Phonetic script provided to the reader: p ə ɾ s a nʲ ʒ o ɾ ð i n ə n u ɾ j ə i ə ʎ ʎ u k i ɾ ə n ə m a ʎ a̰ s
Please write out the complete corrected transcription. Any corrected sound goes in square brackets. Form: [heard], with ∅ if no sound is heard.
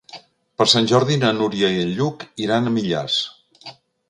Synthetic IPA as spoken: p ə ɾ s a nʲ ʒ [ɔ] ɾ ð i n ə n u ɾ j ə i ə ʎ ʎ u k i ɾ [a] n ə m [i] ʎ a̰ s

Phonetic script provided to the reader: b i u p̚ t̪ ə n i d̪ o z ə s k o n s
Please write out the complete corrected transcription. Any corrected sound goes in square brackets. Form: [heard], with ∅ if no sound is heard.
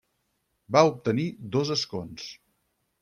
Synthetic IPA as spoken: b [a] u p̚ t̪ ə n i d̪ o z ə s k o n s

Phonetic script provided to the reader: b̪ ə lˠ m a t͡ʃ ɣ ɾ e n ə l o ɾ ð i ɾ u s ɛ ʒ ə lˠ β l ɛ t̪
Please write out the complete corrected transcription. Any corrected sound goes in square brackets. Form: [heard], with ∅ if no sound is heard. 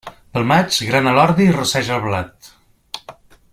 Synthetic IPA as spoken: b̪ ə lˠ m a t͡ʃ ɣ ɾ [a] n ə l [ɔ] ɾ ð i [r] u s ɛ ʒ ə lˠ β l [a] t̪

